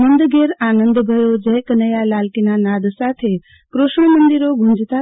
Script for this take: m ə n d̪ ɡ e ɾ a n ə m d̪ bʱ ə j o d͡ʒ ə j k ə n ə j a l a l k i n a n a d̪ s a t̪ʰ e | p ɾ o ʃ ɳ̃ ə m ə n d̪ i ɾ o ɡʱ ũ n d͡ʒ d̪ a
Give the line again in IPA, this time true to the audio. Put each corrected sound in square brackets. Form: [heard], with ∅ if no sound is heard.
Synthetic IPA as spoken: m ə n d̪ ɡ e ɾ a n ə [n] d̪ bʱ ə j o d͡ʒ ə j k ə n ə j a l a l k i n a n a d̪ s a t̪ʰ e | [k] ɾ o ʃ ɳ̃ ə m ə n d̪ i ɾ o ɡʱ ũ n d͡ʒ [t̪] a